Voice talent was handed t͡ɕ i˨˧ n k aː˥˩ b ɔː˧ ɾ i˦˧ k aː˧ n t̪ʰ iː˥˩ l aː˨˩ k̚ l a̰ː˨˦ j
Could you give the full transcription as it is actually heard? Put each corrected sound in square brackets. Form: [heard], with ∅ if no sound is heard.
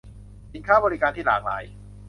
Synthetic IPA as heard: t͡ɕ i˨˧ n [kʰ] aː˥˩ b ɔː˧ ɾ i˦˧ k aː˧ n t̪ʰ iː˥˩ l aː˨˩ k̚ l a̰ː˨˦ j